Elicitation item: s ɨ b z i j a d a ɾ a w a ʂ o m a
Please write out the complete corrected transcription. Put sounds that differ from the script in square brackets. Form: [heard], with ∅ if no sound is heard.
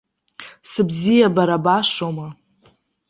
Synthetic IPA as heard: s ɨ b z i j a [b] a ɾ a [b] a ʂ o m a